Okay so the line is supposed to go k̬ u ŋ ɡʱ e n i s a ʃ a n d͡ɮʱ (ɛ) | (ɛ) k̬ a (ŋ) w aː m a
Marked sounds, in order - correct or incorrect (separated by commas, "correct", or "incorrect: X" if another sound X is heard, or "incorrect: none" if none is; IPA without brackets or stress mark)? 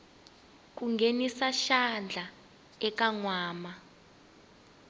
incorrect: a, correct, correct